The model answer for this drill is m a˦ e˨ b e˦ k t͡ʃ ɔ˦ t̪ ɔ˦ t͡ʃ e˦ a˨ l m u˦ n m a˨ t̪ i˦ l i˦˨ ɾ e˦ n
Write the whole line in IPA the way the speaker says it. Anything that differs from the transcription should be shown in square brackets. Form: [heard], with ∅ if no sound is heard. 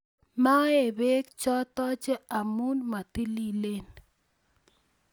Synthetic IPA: m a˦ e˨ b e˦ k t͡ʃ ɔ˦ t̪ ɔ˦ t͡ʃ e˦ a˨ [∅] m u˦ n m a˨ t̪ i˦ l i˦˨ [l] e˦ n